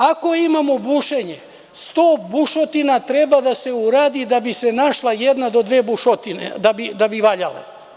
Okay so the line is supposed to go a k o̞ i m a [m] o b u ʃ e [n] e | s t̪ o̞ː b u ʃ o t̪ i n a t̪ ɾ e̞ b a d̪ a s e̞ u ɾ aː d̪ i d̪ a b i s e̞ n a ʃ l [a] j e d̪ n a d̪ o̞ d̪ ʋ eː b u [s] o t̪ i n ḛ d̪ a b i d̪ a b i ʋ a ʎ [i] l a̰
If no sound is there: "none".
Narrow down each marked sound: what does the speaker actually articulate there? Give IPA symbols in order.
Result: m, ɲ, a, ʃ, a

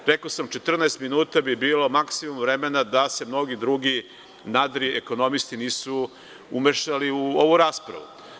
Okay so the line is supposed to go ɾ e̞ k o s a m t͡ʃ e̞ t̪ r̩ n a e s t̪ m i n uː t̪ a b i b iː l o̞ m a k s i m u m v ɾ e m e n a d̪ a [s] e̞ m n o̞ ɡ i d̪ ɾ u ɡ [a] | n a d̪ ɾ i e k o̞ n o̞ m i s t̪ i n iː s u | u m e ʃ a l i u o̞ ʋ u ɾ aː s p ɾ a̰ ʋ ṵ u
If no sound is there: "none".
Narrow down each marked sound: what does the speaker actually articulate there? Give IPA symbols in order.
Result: s, i

